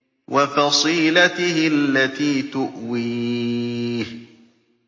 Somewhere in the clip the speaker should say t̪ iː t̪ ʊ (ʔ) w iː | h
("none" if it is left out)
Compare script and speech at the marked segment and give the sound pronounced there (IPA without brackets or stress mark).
ʔ